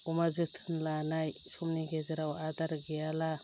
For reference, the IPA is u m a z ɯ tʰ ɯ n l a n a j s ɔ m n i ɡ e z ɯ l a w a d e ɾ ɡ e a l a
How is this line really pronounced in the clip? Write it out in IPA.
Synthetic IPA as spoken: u m a z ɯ tʰ ɯ n l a n a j s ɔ m n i ɡ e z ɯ ɾ a w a d a ɾ ɡ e a l a